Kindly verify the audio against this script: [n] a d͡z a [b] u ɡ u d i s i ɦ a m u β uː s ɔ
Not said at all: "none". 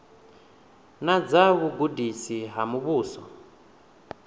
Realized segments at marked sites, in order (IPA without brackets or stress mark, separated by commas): n, β